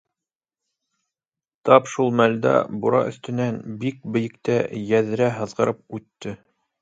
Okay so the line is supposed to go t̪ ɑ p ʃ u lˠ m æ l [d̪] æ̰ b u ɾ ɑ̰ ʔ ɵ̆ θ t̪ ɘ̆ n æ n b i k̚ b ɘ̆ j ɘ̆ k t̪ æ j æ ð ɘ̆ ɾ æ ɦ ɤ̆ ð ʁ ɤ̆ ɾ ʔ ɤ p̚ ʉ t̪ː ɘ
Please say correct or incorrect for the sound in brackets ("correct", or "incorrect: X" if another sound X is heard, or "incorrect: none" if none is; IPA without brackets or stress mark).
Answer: correct